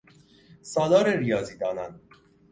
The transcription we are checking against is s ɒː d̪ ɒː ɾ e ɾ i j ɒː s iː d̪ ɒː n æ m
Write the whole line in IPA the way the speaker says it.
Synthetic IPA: s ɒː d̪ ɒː ɾ e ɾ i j ɒː z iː d̪ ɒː n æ n